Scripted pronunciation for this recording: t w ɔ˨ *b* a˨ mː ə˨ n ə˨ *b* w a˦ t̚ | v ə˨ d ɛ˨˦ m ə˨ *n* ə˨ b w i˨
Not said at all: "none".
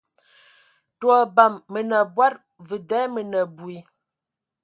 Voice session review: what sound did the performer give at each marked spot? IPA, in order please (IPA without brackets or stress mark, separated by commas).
b, b, n